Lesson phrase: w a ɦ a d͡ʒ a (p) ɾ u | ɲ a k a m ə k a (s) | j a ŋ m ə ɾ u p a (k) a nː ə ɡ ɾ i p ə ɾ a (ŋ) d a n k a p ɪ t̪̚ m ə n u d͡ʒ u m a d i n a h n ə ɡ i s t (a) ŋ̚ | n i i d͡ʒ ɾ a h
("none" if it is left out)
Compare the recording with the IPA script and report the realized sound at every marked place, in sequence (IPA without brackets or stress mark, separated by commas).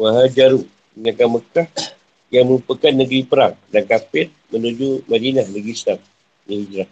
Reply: none, h, k, ŋ, a